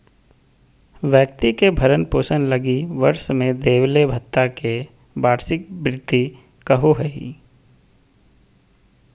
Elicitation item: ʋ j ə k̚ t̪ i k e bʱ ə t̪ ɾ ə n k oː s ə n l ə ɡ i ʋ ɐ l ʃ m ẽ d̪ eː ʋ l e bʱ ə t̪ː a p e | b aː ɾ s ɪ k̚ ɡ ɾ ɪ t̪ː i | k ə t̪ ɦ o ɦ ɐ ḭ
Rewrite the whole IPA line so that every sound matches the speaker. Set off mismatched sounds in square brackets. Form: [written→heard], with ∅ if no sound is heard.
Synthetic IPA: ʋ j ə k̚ t̪ i k e bʱ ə [t̪→∅] ɾ ə n [k→p] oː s ə n l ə ɡ i ʋ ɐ [l→ɾ] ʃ m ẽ d̪ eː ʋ l e bʱ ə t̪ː a [p→k] e | b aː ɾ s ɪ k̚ [ɡ→b] ɾ ɪ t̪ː i | k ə [t̪→∅] ɦ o ɦ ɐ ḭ